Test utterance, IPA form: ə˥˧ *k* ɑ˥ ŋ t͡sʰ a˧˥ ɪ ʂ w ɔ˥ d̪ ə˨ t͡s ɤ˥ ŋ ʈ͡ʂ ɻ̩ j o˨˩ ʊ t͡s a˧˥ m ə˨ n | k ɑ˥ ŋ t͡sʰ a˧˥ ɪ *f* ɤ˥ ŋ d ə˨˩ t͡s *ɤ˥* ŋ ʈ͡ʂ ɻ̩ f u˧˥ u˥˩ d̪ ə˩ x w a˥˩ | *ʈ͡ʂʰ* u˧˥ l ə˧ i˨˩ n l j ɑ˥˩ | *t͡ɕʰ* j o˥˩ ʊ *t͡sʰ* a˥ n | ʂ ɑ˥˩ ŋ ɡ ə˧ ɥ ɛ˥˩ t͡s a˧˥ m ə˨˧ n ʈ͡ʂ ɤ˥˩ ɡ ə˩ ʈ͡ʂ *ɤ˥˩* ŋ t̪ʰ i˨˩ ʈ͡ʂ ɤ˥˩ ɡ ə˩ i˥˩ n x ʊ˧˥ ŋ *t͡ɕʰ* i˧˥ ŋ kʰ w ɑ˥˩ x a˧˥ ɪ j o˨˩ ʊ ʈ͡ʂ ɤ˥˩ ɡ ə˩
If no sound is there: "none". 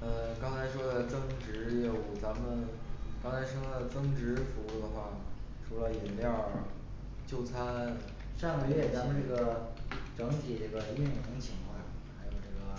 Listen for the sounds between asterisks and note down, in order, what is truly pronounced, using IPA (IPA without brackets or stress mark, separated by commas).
k, ʂ, ɤ˥, ʈ͡ʂʰ, t͡ɕ, t͡sʰ, ɤ˧˥, t͡ɕʰ